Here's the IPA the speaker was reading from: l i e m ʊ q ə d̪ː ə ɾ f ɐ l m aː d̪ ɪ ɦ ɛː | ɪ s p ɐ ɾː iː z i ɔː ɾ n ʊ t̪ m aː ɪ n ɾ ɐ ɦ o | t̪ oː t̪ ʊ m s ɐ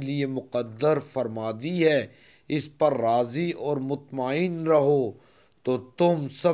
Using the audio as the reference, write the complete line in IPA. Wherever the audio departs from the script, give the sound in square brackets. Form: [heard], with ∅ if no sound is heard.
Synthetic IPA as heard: l i e m ʊ q ə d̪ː ə ɾ f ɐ [ɾ] m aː d̪ [i] ɦ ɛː | ɪ s p ɐ ɾː [aː] z i ɔː ɾ [m] ʊ t̪ m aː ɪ n ɾ ɐ ɦ o | t̪ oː t̪ ʊ m s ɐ